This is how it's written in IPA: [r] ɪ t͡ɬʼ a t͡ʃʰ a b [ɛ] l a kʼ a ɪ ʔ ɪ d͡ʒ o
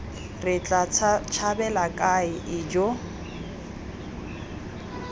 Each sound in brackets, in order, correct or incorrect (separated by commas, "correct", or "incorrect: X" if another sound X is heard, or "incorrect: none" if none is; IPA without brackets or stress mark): correct, correct